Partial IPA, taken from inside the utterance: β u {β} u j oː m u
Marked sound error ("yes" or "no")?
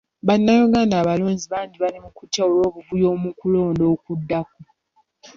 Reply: yes